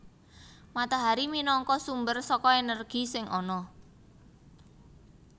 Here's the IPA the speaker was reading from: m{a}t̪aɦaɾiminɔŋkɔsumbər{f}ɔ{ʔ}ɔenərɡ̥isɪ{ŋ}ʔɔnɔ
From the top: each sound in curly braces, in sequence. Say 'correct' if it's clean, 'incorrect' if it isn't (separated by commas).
correct, incorrect, incorrect, correct